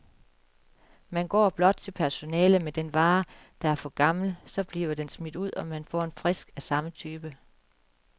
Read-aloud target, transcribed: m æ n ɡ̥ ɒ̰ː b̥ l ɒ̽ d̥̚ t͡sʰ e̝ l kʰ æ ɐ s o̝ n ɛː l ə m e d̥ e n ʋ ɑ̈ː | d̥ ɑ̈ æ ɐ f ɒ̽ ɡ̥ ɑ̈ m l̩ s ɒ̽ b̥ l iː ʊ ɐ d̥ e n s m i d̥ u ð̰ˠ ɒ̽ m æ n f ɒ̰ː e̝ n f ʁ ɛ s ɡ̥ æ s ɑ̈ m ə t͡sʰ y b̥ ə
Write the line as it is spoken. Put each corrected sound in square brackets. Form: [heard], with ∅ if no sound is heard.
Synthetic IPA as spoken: m æ n ɡ̥ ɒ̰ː b̥ l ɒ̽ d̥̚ t͡sʰ e̝ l [pʰ] æ ɐ s o̝ n ɛː l ə m e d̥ e n ʋ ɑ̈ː | d̥ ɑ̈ æ ɐ f ɒ̽ ɡ̥ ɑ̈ m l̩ s ɒ̽ b̥ l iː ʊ ɐ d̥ e n s m i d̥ u ð̰ˠ ɒ̽ m æ n f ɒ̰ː e̝ n f ʁ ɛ s ɡ̥ æ s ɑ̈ m ə t͡sʰ [yː] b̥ ə